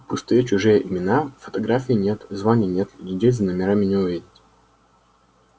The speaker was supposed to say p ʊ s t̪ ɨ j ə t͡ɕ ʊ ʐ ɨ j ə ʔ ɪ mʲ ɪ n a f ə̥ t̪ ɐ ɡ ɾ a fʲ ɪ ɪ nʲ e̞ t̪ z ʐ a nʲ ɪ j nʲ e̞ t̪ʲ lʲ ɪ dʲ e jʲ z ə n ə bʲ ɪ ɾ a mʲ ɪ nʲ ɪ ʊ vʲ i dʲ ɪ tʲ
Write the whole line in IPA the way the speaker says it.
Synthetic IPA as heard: p ʊ s t̪ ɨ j ə t͡ɕ ʊ ʐ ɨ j ə ʔ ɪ mʲ ɪ n a f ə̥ t̪ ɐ ɡ ɾ a fʲ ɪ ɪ nʲ e̞ t̪ z v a nʲ ɪ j nʲ e̞ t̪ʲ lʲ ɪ dʲ e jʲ z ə n ə mʲ ɪ ɾ a mʲ ɪ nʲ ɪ ʊ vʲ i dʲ ɪ tʲ